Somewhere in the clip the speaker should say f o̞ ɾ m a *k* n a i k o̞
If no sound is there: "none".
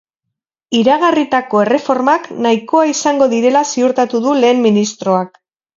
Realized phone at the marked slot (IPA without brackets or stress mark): k